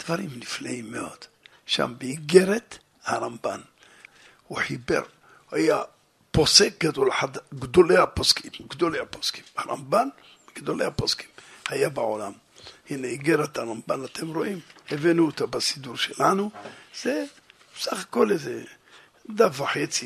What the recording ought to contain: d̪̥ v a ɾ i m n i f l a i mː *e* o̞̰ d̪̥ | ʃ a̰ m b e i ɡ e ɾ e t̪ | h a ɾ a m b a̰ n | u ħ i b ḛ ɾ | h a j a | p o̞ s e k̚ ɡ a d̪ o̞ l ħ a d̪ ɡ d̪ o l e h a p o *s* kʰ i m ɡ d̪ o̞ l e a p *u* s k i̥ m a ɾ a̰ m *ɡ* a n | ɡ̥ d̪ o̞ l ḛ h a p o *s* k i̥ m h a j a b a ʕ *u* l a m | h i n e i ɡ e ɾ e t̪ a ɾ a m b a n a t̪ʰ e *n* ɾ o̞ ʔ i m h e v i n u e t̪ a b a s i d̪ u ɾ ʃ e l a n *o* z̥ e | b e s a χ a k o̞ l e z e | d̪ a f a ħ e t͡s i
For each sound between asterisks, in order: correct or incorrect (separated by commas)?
correct, correct, incorrect, incorrect, correct, incorrect, incorrect, incorrect